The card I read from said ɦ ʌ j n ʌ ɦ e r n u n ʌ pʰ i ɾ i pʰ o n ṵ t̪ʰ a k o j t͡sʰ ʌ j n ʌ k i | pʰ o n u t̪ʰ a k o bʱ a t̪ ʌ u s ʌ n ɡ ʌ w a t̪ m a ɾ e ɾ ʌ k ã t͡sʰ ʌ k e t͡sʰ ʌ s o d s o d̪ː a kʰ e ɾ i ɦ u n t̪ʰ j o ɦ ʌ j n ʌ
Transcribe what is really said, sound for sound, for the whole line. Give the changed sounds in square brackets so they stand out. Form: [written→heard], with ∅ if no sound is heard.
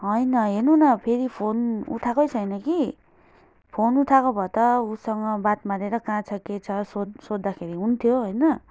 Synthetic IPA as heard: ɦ ʌ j n ʌ ɦ e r n u n ʌ pʰ [i→e] ɾ i pʰ o n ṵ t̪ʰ a k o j t͡sʰ ʌ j n ʌ k i | pʰ o n u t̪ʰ a k o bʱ [a→ʌ] t̪ ʌ u s ʌ [n→ŋ] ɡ ʌ [w→b] a t̪ m a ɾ e ɾ ʌ k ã t͡sʰ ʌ k e t͡sʰ ʌ s o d s o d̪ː a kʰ e ɾ i ɦ u n t̪ʰ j o ɦ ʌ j n ʌ